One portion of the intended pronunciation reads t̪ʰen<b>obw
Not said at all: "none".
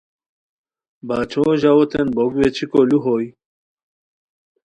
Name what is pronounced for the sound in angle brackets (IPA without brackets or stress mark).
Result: b